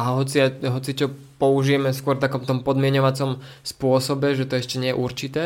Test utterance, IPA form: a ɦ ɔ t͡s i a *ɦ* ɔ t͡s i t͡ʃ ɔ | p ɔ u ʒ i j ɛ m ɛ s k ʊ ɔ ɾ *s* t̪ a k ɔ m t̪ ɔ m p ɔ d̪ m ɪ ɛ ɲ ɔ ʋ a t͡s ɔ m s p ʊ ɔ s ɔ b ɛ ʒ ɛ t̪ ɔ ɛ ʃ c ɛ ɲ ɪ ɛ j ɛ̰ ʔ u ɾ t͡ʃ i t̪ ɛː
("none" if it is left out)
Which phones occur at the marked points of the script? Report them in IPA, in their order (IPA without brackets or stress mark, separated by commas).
ɦ, f